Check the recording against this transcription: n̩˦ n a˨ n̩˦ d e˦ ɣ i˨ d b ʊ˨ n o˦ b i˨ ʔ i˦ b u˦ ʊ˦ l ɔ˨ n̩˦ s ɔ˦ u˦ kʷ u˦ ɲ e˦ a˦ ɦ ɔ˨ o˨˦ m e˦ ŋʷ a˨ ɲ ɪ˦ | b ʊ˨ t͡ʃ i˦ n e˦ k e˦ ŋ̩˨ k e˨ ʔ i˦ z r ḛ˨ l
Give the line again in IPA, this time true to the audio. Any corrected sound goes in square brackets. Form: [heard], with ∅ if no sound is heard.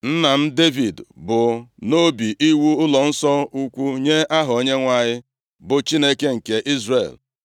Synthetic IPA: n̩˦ n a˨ [m̩˦] d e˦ [v] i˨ d b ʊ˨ n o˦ b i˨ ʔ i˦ [w] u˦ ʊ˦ l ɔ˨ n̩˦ s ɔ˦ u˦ kʷ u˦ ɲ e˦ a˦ ɦ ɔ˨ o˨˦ [ɲ] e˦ ŋʷ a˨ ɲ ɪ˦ | b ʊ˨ t͡ʃ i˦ n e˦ k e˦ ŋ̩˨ k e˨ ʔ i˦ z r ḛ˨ l

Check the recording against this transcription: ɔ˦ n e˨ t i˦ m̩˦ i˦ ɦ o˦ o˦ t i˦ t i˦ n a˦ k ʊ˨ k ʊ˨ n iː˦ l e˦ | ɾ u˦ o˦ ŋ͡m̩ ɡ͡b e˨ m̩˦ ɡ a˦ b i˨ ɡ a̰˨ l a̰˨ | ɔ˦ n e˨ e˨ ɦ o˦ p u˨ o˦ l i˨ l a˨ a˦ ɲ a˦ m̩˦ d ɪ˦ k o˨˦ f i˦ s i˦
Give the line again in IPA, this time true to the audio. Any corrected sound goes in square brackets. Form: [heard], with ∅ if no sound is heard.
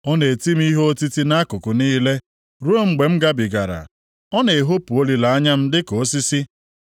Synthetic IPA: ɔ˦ n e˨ t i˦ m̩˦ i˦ ɦ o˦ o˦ t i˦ t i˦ n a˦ k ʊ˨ k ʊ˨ n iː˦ l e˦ | ɾ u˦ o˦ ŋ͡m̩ ɡ͡b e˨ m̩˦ ɡ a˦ b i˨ ɡ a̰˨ [ɾ] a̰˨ | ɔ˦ n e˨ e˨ ɦ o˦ p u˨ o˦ l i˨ l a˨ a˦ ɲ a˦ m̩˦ d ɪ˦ k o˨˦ [s] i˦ s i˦

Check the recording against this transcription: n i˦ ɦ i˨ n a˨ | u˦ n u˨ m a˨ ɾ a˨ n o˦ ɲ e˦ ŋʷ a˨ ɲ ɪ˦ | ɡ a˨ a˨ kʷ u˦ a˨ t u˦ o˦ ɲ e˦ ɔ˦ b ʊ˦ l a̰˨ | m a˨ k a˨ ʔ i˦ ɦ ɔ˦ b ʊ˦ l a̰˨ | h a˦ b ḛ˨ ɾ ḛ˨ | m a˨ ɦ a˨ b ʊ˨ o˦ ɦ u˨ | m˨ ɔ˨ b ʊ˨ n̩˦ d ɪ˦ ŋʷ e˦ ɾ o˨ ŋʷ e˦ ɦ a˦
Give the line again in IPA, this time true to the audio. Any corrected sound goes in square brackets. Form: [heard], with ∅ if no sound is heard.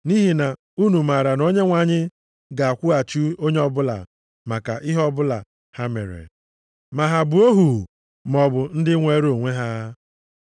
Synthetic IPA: n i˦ ɦ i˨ n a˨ | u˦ n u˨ m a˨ ɾ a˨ n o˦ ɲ e˦ ŋʷ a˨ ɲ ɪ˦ | ɡ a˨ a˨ kʷ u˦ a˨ [t͡ʃ] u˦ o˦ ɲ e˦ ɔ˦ b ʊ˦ l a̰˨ | m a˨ k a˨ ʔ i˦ ɦ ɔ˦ b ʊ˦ l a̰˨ | h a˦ [m] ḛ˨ ɾ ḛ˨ | m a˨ ɦ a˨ b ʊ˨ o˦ ɦ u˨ | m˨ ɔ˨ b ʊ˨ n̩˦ d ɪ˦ ŋʷ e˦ ɾ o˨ ŋʷ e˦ ɦ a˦

